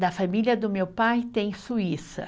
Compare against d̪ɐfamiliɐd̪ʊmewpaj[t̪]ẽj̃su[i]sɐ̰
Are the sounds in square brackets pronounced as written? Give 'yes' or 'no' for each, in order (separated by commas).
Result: yes, yes